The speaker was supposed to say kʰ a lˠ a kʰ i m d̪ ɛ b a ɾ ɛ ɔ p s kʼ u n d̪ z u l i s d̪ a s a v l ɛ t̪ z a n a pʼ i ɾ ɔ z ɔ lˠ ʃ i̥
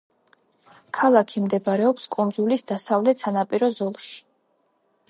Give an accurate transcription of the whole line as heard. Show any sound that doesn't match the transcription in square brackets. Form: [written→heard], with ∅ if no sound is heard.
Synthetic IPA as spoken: kʰ a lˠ a kʰ i m d̪ ɛ b a ɾ ɛ ɔ p s kʼ u n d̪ z u l i s d̪ a s a v l ɛ t̪ [z→s] a n a pʼ i ɾ ɔ z ɔ lˠ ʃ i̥